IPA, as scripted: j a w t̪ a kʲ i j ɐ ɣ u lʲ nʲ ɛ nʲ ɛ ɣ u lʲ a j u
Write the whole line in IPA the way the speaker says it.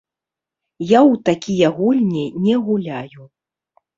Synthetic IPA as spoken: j a w t̪ a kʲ i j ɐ ɣ u lʲ nʲ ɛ nʲ ɛ ɣ u lʲ a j u